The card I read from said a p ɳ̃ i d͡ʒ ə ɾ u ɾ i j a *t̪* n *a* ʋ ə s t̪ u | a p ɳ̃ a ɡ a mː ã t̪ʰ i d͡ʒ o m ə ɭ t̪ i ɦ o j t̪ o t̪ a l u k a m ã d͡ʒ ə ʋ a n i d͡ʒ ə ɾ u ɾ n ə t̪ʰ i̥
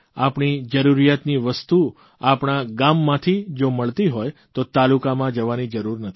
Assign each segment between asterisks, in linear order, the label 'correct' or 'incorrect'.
correct, incorrect: i

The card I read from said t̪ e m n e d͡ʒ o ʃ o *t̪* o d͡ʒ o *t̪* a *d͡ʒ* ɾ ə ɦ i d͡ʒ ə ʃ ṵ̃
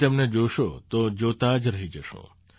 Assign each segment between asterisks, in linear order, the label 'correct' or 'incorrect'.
correct, correct, correct

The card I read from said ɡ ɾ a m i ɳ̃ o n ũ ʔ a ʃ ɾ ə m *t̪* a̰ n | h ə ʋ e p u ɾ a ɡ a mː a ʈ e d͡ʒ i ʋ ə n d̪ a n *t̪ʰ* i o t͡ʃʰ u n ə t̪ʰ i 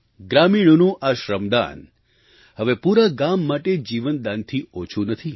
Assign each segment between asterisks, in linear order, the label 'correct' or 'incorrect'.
incorrect: d̪, correct

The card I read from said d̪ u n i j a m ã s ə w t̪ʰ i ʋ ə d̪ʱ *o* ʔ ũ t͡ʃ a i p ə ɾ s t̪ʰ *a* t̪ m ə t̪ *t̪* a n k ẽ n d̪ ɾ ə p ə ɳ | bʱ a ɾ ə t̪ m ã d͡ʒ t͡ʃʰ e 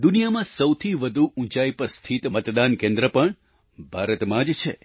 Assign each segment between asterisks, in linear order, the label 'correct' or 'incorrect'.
incorrect: u, incorrect: i, incorrect: d̪

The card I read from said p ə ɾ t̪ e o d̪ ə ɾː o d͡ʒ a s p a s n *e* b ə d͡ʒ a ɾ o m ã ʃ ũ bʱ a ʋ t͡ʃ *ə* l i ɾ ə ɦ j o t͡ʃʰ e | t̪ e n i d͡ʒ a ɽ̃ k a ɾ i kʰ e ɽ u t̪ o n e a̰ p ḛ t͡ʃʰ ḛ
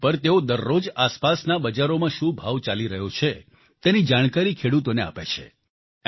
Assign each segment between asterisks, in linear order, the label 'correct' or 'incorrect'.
incorrect: a, incorrect: a

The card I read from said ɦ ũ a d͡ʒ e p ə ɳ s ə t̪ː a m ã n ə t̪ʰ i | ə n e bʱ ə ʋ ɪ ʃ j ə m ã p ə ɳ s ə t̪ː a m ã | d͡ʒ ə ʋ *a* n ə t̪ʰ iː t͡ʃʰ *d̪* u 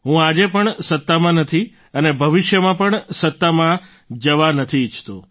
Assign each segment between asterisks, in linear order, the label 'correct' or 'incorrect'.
correct, incorrect: t̪

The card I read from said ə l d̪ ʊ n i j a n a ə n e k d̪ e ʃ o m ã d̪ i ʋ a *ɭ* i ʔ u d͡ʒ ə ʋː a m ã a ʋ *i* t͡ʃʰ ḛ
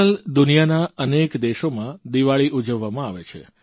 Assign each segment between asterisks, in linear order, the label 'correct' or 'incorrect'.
correct, incorrect: e

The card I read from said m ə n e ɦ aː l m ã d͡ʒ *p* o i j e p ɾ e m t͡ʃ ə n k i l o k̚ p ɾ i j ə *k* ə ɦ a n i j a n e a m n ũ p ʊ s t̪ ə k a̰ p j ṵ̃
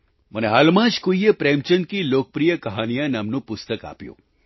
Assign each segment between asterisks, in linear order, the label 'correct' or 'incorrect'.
incorrect: k, correct

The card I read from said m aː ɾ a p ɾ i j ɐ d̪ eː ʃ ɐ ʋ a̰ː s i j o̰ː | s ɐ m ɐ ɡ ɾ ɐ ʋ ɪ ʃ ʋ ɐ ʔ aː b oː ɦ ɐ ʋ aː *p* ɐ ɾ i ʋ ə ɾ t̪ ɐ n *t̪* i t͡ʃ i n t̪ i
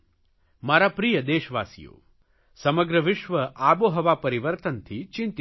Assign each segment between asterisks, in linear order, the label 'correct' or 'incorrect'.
correct, incorrect: t̪ʰ

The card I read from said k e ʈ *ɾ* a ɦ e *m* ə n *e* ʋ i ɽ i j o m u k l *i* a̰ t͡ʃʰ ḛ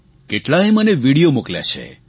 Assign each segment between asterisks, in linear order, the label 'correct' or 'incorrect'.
incorrect: l, correct, correct, incorrect: j

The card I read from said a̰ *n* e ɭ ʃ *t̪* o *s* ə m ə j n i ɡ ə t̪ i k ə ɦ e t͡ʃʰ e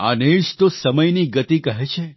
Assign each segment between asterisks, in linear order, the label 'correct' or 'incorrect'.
correct, correct, correct

